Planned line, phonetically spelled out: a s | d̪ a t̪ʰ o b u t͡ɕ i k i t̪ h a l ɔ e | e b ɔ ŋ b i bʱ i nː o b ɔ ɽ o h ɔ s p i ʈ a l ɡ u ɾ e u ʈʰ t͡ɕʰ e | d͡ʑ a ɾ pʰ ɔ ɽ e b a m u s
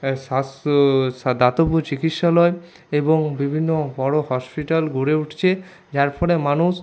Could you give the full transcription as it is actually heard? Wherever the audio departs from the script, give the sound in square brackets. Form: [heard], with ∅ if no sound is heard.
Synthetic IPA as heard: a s | d̪ a [t̪] o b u t͡ɕ i k i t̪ [ʃ] a l ɔ e | e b [o] ŋ b i bʱ i nː o b ɔ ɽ o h ɔ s p i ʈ a l ɡ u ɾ e u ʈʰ t͡ɕʰ e | d͡ʑ a ɾ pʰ ɔ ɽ e [m] a [n] u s